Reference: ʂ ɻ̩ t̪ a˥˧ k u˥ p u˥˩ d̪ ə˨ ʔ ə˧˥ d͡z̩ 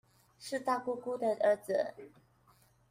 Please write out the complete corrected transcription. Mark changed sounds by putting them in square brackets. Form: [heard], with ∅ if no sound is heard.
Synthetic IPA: ʂ ɻ̩ t̪ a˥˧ k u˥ [k] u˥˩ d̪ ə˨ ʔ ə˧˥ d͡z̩